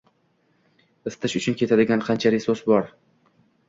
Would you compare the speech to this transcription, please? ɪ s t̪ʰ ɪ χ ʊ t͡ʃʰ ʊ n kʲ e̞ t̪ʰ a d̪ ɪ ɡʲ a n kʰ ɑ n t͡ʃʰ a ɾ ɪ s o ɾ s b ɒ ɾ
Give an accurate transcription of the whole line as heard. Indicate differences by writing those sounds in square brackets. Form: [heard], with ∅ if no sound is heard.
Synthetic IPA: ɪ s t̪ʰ ɪ [ʃ] ʊ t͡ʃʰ ʊ n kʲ e̞ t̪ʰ a d̪ ɪ ɡʲ a n [qʰ] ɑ n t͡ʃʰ a ɾ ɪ s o [∅] s b ɒ ɾ